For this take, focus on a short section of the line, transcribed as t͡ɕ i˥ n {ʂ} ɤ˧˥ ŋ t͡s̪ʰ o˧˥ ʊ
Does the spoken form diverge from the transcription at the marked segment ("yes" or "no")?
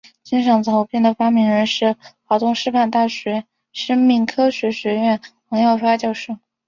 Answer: no